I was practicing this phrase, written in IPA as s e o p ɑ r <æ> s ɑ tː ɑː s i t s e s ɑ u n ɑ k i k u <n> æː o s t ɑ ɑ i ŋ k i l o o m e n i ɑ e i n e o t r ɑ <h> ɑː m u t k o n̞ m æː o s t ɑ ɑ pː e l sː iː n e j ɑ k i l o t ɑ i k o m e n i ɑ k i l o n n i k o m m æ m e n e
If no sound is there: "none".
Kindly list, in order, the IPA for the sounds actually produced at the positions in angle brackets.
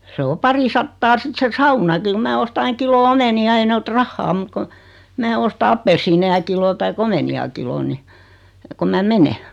i, m, hː

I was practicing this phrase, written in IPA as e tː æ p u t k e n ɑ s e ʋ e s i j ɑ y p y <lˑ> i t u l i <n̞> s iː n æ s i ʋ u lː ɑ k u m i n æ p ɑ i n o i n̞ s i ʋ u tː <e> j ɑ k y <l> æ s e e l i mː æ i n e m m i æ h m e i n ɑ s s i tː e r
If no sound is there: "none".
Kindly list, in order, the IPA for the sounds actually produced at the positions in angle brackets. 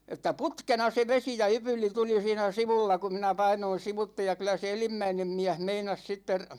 lˑ, none, e, l

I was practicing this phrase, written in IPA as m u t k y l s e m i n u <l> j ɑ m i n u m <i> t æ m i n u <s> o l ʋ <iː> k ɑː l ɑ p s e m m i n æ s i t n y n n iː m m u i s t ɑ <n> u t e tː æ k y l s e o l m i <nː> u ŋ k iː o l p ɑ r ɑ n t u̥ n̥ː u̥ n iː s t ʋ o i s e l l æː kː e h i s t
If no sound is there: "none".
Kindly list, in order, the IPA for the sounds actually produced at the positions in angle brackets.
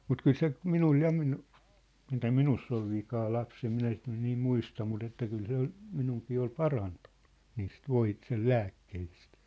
l, i, sː, i, m, n

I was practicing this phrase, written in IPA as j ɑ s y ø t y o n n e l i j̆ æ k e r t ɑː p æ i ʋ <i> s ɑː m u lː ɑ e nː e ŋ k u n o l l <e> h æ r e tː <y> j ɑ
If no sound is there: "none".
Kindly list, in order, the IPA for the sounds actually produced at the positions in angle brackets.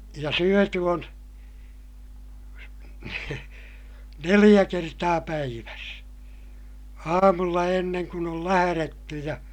æ, æ, y

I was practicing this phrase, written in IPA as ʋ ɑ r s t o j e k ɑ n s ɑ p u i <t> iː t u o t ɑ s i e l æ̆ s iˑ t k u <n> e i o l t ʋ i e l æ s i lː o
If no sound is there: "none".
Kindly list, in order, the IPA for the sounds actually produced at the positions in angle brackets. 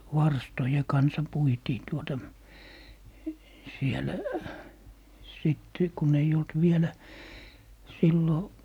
t, n

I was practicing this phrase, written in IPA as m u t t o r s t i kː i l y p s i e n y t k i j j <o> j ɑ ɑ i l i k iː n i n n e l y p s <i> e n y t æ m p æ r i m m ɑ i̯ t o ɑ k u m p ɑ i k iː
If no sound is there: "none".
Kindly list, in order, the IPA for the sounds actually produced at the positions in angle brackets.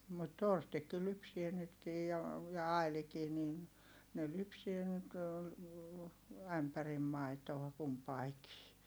o, i

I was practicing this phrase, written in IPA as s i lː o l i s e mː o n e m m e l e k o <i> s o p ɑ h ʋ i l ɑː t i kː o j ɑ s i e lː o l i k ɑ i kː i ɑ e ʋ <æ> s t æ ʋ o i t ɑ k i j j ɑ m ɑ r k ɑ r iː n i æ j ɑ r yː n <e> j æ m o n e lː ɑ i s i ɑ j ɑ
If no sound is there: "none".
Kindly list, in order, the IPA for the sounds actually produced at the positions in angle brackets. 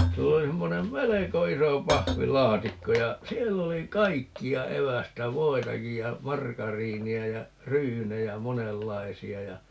i, æ, e

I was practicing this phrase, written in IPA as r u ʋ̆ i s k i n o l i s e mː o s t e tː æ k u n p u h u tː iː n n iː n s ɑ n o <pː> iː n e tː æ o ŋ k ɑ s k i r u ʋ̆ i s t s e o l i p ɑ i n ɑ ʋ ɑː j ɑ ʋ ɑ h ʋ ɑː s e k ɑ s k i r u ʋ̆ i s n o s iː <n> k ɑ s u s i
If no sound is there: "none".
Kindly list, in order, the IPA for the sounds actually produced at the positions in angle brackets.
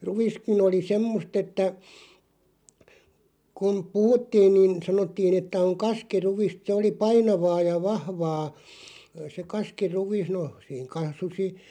tː, ŋ

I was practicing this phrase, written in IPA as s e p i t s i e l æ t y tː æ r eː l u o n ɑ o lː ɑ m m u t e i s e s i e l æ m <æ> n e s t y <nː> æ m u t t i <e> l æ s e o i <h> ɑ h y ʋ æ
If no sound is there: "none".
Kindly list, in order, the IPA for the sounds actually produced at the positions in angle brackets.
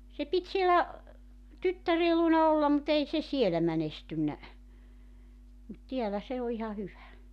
æ, nː, æ, h

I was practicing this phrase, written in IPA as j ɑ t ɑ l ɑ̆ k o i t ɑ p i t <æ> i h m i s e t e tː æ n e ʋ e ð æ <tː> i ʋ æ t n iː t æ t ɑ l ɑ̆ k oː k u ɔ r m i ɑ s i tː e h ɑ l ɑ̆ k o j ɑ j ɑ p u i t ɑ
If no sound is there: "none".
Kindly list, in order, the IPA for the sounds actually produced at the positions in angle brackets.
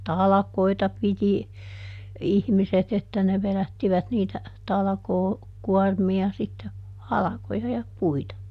i, tː

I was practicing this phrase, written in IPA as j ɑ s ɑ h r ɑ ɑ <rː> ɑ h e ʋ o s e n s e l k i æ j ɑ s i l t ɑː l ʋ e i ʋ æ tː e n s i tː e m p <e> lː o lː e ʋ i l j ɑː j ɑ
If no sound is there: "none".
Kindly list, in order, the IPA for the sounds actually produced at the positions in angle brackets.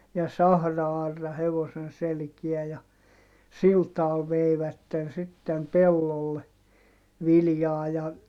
rː, e

